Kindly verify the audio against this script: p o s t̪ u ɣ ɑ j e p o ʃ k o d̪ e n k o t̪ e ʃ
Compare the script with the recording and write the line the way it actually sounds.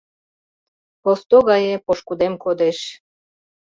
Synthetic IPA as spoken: p o s t̪ o ɣ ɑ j e p o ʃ k u d̪ e m k o d̪ e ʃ

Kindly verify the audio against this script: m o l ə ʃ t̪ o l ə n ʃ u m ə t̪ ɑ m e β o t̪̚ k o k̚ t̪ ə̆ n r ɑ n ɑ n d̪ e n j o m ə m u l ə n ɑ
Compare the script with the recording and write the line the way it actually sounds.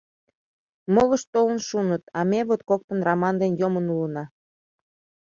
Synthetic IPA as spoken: m o l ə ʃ t̪ o l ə n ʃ u n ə t̪ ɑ m e β o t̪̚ k o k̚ t̪ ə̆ n r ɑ m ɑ n d̪ e n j o m ə n u l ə n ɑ

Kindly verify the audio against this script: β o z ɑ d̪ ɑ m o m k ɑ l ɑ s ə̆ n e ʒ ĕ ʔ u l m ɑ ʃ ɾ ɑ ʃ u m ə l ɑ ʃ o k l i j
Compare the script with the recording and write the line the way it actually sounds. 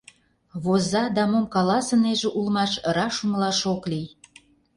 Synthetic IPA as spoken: β o z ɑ d̪ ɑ m o m k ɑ l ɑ s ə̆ n e ʒ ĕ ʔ u l m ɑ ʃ ɾ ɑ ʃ u m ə l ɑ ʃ o k l i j

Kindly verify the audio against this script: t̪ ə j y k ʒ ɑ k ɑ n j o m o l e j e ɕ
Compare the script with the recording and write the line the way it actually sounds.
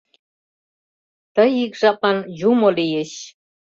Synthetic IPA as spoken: t̪ ə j i k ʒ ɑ p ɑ n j u m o l i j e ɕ

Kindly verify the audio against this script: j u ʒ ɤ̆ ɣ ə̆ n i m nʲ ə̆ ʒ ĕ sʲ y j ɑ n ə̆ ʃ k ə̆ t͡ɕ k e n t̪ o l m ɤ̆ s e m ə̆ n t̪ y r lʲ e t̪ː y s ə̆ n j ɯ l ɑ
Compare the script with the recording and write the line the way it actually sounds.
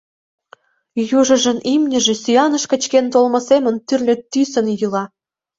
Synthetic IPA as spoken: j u ʒ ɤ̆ ʒ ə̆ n i m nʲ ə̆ ʒ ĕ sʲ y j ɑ n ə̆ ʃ k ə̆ t͡ɕ k e n t̪ o l m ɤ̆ s e m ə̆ n t̪ y r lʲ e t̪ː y s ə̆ n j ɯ l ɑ

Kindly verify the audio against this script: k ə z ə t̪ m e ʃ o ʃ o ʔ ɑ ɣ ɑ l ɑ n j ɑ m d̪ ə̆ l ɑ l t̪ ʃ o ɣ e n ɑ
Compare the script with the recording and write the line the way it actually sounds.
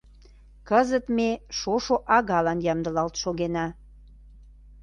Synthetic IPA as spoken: k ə z ə t̪ m e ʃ o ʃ o ʔ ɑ ɣ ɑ l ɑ n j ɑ m d̪ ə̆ l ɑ l t̪ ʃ o ɣ e n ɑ

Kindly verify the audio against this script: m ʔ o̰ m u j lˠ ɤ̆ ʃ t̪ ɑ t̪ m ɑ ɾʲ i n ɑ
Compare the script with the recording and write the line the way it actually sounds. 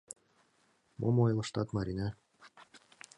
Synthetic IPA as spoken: m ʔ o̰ m o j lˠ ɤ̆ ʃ t̪ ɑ t̪ m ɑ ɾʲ i n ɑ

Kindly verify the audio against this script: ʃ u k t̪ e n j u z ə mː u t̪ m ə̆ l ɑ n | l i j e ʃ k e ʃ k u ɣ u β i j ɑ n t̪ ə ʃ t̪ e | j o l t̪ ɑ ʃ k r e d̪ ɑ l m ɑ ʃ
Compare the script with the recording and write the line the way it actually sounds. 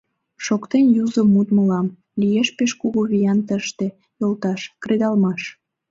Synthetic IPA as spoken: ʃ o k t̪ e n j u z ə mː u t̪ m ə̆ l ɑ m | l i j e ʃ p e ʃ k u ɣ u β i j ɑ n t̪ ə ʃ t̪ e | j o l t̪ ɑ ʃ k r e d̪ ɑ l m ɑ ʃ

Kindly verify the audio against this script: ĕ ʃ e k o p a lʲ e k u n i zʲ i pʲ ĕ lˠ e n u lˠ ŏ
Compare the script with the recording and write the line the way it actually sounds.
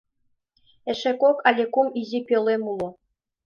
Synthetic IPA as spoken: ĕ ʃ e k o k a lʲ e k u m i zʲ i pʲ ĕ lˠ e m u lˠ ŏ

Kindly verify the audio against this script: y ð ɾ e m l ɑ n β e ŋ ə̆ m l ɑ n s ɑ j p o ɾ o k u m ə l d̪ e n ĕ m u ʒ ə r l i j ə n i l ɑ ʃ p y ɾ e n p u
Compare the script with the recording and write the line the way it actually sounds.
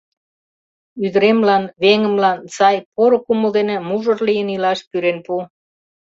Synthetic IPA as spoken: y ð ɾ e m l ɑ n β e ŋ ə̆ m l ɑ n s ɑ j p o ɾ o k u m ə l d̪ e n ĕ m u ʒ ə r l i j ə n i l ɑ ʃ p y ɾ e n p u

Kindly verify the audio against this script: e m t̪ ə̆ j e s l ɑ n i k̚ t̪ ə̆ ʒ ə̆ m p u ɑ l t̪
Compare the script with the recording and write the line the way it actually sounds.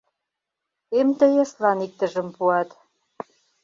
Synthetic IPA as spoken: e m t̪ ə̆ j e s l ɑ n i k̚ t̪ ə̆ ʒ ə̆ m p u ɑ t̪

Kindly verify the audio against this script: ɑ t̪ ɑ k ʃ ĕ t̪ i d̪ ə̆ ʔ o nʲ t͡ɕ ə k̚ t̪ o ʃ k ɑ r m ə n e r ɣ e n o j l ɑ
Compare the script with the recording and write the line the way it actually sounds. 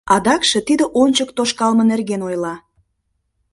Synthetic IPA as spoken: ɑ d̪ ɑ k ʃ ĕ t̪ i d̪ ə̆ ʔ o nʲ t͡ɕ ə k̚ t̪ o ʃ k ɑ l m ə n e r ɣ e n o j l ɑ

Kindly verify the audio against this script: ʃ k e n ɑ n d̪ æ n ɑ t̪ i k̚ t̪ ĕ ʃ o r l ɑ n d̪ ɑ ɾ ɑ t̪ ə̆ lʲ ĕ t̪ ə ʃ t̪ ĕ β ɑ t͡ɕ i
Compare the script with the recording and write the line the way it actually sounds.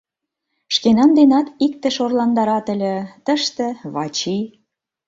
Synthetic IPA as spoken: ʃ k e n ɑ n d̪ e n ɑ t̪ i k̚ t̪ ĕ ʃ o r l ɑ n d̪ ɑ ɾ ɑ t̪ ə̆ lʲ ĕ t̪ ə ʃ t̪ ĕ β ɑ t͡ɕ i

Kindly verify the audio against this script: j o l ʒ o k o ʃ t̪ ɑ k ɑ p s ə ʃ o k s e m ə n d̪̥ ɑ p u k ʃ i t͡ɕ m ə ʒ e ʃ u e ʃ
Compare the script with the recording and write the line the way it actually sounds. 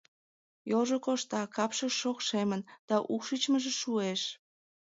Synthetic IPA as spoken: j o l ʒ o k o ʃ t̪ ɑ k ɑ p ʃ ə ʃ o k ʃ e m ə n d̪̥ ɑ ʔ u k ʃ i t͡ɕ m ə ʒ e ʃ u e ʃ

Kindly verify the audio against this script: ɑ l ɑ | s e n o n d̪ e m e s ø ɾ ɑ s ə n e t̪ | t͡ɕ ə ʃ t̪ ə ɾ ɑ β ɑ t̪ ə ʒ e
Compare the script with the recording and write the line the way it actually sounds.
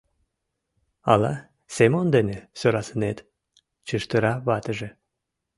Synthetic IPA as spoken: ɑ l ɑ | s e m o n d̪ e n e s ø ɾ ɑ s ə n e t̪ | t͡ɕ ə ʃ t̪ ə ɾ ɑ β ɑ t̪ ə ʒ e

